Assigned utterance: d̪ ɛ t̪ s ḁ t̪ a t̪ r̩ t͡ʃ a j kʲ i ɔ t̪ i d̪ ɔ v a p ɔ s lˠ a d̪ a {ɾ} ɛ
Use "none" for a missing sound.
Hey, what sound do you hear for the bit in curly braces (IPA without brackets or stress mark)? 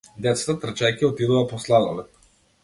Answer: l